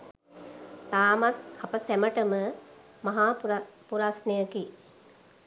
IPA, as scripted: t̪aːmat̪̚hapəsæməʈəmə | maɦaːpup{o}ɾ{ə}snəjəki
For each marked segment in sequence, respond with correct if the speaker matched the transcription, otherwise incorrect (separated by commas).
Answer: incorrect, incorrect